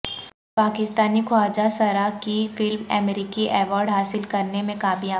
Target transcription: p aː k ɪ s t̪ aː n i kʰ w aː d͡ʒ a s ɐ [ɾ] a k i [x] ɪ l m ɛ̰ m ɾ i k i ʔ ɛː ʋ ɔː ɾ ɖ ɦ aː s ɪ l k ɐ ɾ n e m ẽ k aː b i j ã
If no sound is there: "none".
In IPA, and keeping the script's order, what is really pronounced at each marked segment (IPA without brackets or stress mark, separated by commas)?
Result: ɾ, f